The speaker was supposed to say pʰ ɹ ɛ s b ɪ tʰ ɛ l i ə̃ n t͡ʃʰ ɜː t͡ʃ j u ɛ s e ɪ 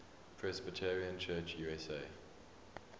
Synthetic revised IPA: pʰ ɹ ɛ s b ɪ tʰ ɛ ɹ i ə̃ n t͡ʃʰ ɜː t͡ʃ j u ɛ s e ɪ

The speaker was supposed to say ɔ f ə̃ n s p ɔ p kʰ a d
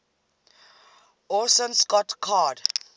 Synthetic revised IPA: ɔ s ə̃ n s k ɔ t kʰ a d

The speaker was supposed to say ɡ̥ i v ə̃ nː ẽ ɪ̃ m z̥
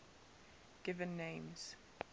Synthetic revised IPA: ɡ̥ ɪ v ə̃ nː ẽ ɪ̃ m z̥

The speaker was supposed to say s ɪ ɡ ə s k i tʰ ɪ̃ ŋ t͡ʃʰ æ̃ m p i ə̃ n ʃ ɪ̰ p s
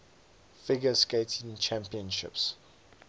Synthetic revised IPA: f ɪ ɡ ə s k e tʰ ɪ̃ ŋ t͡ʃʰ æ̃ m p i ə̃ n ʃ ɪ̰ p s

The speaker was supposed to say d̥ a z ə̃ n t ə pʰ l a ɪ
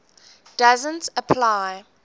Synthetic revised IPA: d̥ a z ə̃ n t ə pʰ l a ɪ

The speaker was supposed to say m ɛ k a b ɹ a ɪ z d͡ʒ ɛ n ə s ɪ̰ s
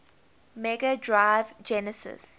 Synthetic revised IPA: m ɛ ɡ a d ɹ a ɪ v d͡ʒ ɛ n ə s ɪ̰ s

